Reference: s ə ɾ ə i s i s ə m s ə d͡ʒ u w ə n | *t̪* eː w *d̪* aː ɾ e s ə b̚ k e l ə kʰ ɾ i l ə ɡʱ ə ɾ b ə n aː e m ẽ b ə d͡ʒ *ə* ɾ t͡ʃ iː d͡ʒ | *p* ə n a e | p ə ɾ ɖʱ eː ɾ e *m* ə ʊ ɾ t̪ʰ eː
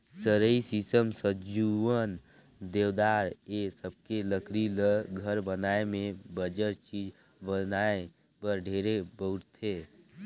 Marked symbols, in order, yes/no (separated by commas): no, yes, yes, no, no